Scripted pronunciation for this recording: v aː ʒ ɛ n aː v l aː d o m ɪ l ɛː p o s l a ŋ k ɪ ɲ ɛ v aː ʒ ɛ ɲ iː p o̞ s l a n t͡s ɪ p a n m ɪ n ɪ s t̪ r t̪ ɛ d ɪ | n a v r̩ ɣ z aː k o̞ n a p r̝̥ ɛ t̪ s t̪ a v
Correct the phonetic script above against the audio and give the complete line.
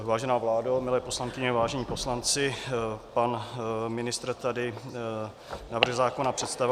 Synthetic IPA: v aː ʒ ɛ n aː v l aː d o m ɪ l ɛː p o s l a ŋ k ɪ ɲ ɛ v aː ʒ ɛ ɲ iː p o̞ s l a n t͡s ɪ p a n m ɪ n ɪ s t̪ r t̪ a d ɪ | n a v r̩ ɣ z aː k o̞ n a p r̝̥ ɛ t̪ s t̪ a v